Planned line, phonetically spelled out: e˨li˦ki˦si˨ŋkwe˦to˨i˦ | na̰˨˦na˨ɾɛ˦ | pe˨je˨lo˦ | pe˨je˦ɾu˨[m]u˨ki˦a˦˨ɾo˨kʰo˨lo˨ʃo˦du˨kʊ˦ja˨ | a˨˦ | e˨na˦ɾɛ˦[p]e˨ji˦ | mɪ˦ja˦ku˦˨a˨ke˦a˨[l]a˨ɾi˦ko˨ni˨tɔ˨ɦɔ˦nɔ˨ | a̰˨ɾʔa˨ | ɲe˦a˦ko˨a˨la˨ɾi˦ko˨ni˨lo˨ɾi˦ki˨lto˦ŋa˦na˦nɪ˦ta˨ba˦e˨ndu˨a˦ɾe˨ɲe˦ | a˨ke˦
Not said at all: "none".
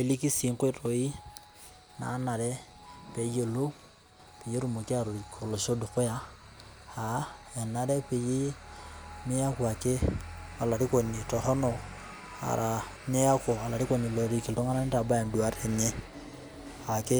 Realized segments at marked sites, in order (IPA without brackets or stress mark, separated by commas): m, p, l